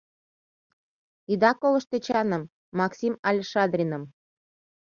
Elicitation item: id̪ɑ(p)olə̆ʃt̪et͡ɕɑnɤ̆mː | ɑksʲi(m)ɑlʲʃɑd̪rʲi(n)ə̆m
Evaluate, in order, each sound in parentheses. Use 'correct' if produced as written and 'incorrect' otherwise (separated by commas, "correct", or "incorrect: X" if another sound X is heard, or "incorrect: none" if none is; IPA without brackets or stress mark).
incorrect: k, correct, correct